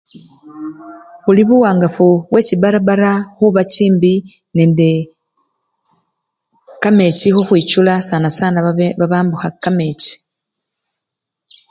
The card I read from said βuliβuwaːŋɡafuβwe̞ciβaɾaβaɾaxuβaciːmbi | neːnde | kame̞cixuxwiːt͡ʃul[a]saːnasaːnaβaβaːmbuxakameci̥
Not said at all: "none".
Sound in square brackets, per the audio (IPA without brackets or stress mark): a